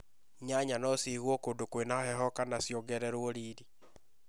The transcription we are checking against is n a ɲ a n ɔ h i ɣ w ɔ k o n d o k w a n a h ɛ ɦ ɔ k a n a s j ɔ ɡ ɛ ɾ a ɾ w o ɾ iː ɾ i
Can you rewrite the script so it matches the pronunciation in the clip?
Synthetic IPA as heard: ɲ a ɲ a n ɔ s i ɣ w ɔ k o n d o k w e n a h ɛ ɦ ɔ k a n a s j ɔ ɡ ɛ ɾ ɛ ɾ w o ɾ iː ɾ i